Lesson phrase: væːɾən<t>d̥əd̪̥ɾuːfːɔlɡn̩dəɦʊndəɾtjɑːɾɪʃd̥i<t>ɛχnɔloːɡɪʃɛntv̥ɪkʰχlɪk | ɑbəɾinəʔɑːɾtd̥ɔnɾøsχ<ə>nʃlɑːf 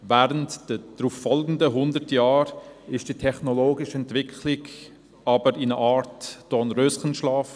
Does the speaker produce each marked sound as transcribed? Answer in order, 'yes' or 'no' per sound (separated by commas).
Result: yes, no, yes